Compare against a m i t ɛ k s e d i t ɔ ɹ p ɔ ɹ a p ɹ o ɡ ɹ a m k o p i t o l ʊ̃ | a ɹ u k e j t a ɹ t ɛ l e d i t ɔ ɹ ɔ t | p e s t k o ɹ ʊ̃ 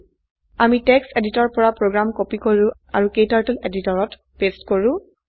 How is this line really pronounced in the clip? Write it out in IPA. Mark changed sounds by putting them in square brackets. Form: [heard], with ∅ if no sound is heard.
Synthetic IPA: a m i t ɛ k s e d i t ɔ ɹ p ɔ ɹ a p ɹ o ɡ ɹ a m k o p i [k] o [ɹ] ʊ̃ | a ɹ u k e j t a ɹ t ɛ l e d i t ɔ ɹ ɔ t | p e s t k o ɹ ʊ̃